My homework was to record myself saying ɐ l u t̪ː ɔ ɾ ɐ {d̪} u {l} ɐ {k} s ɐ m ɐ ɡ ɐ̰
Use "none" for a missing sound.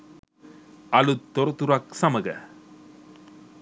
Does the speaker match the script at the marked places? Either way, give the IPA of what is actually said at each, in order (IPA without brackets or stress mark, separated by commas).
t̪, ɾ, k